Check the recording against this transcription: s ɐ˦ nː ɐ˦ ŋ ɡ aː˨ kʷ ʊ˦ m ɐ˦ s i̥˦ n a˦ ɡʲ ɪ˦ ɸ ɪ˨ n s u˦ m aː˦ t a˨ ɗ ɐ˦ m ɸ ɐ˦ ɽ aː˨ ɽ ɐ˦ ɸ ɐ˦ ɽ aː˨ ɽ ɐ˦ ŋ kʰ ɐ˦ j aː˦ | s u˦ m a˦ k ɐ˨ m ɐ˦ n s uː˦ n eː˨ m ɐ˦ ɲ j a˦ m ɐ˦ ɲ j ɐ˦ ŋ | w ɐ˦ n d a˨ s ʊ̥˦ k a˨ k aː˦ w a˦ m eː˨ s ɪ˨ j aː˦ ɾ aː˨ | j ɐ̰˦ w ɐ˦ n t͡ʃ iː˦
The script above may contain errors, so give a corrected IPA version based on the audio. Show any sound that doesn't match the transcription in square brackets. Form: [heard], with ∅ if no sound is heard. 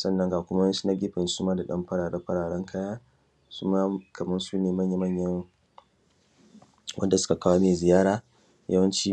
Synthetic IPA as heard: s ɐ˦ nː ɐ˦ ŋ ɡ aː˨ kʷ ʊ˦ m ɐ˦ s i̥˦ n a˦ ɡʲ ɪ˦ ɸ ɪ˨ n s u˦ m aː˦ [d] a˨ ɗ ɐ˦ m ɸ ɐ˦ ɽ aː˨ ɽ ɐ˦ ɸ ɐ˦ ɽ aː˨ ɽ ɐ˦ ŋ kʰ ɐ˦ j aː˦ | s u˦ m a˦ k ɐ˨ m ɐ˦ n s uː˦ n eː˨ m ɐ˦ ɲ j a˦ m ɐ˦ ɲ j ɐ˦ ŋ | w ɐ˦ n d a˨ s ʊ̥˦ k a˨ k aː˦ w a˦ m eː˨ [z] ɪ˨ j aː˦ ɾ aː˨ | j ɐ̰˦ w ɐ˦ n t͡ʃ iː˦